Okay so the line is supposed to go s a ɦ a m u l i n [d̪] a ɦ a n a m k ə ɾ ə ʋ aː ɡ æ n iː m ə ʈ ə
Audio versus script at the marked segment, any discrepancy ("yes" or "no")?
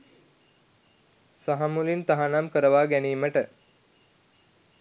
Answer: yes